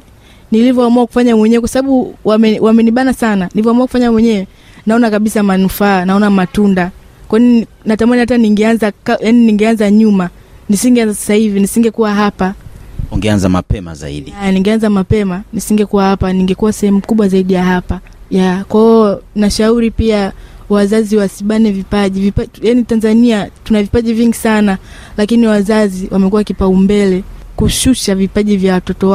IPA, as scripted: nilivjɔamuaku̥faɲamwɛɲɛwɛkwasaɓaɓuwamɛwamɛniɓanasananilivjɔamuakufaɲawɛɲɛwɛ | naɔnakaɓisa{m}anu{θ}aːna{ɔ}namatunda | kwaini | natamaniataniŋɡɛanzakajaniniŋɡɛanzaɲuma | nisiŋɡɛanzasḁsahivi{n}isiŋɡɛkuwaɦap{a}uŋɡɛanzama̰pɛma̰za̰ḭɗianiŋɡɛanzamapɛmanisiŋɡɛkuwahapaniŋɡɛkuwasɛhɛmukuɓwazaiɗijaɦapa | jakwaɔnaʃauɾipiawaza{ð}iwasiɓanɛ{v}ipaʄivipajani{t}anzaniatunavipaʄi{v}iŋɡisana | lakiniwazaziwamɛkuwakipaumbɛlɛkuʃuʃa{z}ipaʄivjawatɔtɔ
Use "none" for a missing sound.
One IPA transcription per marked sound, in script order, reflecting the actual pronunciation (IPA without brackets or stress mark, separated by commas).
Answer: m, f, ɔ, n, a, z, v, t, v, v